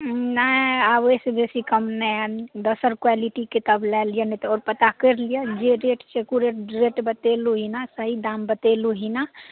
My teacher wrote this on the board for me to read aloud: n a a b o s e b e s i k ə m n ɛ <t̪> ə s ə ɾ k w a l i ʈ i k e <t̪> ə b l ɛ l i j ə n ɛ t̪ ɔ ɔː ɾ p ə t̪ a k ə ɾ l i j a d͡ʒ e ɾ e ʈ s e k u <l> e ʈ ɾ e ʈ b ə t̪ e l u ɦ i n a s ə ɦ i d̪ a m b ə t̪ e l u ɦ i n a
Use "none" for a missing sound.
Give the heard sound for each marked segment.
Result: d̪, t̪, ɾ

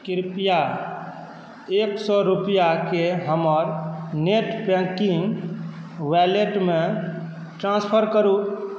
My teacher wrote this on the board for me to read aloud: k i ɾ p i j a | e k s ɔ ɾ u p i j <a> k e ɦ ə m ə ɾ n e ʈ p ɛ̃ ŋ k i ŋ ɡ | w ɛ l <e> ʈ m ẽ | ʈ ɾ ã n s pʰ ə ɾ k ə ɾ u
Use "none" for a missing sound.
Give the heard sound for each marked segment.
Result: a, e

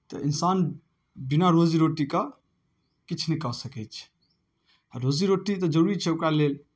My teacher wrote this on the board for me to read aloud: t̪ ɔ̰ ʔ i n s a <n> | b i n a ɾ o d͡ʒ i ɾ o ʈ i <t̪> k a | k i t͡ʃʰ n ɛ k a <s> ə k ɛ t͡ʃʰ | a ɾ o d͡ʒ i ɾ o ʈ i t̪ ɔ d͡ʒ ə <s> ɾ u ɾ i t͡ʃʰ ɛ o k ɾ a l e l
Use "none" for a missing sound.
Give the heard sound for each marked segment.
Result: n, none, s, none

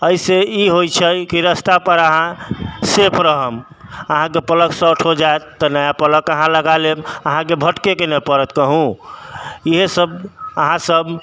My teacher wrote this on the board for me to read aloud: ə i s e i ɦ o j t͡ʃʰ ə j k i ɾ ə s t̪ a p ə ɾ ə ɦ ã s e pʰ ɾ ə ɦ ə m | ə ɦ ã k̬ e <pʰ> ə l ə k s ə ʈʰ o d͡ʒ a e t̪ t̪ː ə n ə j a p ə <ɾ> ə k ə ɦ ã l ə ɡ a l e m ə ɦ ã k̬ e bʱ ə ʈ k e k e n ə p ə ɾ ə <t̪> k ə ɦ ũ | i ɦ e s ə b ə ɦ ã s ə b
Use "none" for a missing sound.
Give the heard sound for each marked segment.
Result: p, l, t̪

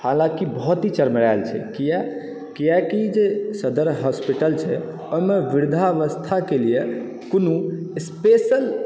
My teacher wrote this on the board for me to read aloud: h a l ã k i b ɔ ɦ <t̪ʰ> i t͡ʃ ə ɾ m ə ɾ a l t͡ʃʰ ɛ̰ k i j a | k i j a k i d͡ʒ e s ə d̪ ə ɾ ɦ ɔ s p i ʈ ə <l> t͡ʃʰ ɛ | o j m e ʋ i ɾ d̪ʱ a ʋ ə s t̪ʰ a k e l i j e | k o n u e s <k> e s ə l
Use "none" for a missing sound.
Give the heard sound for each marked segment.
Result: t̪, l, p

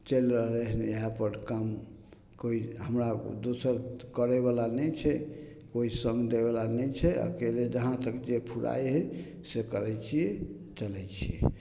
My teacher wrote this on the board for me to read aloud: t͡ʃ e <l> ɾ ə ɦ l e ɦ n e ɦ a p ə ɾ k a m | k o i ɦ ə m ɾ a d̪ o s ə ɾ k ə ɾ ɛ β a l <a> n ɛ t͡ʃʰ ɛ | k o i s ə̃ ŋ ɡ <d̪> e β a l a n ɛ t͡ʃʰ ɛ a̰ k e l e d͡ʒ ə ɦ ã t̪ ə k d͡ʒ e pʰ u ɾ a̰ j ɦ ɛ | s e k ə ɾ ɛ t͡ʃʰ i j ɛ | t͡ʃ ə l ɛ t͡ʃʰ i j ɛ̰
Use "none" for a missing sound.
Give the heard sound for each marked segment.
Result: l, a, d̪

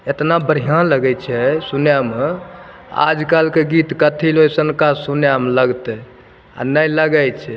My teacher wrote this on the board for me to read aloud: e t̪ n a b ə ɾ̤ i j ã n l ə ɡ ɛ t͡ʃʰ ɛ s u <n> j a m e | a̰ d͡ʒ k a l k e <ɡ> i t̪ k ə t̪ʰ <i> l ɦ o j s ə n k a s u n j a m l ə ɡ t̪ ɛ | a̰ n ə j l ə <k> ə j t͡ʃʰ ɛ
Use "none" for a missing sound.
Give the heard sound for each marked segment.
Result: n, ɡ, i, ɡ

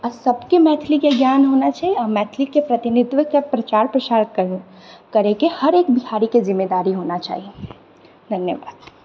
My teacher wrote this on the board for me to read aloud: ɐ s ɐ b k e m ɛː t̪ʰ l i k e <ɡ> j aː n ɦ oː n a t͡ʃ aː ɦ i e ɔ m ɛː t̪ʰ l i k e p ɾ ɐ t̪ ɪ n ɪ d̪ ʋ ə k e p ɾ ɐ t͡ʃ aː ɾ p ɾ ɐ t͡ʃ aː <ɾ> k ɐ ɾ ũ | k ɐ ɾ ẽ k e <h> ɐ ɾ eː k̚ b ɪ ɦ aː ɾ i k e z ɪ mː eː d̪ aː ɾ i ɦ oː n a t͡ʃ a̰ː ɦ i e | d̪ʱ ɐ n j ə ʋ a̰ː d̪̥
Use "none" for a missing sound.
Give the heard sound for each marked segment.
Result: ɡ, ɾ, h

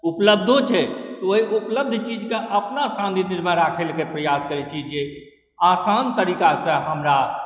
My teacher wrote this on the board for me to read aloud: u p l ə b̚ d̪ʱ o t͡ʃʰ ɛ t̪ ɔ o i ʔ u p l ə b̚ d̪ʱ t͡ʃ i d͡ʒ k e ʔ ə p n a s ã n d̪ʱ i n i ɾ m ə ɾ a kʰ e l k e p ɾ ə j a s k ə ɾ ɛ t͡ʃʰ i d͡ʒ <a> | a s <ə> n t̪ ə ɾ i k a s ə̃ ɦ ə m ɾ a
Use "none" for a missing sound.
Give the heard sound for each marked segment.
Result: e, a

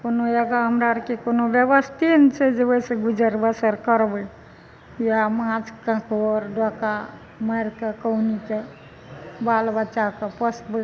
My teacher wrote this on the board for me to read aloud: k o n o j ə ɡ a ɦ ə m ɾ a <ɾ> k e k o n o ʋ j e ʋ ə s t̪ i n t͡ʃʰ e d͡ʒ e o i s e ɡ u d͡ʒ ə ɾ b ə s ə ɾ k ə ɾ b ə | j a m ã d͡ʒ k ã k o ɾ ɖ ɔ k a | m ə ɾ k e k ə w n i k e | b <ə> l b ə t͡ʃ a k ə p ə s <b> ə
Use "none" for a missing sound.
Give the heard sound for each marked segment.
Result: ɾ, a, b

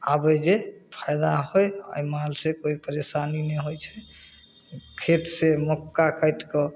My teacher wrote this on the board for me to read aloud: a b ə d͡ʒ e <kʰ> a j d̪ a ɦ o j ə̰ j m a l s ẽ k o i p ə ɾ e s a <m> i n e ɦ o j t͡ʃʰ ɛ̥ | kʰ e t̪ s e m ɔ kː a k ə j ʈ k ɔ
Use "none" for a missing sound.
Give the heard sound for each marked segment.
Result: pʰ, n

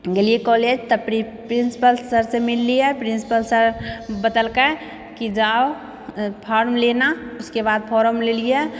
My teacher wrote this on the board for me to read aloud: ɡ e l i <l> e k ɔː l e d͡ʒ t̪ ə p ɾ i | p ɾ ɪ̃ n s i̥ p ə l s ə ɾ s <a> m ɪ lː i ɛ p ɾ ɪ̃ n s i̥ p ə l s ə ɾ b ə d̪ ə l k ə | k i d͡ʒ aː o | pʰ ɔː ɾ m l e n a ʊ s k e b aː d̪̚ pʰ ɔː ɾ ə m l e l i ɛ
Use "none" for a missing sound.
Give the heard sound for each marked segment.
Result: none, e

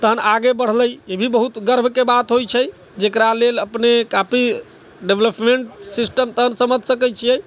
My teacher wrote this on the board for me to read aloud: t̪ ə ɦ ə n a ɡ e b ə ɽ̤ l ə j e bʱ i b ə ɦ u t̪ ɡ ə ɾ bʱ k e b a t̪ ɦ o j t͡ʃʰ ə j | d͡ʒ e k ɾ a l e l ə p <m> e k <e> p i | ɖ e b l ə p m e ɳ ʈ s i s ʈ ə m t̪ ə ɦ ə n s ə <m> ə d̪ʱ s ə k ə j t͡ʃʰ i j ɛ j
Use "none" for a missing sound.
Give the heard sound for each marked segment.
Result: n, a, m

